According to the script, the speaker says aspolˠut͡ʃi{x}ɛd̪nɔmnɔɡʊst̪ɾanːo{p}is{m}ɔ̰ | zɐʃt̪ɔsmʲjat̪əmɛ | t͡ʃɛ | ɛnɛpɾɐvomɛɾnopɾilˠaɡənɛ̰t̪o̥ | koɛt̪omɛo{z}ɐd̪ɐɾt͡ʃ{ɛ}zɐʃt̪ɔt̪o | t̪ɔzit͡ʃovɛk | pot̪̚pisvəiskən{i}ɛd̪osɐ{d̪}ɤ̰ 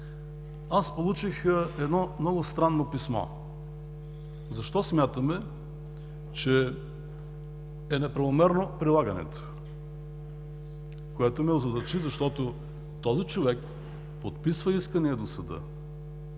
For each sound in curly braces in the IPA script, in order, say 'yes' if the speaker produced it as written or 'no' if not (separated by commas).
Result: yes, yes, yes, yes, no, yes, yes